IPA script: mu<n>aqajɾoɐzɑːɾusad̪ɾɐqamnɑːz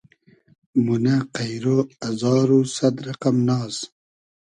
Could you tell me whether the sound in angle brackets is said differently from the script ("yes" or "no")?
no